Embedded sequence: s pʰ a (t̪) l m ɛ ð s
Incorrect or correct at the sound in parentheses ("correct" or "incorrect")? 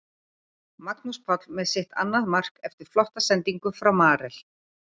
correct